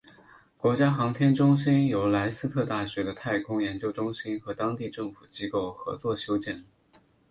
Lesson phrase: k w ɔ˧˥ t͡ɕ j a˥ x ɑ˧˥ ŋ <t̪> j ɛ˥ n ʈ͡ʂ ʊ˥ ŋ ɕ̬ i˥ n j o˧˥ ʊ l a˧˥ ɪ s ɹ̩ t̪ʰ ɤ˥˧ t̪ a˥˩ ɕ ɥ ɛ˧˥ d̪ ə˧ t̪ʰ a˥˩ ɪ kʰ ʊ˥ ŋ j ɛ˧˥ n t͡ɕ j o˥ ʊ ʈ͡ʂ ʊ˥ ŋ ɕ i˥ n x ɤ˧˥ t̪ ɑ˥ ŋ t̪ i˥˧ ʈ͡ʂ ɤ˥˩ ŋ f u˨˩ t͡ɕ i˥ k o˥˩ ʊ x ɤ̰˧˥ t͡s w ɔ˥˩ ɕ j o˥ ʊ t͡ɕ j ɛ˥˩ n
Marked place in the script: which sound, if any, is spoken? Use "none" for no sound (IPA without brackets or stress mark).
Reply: t̪ʰ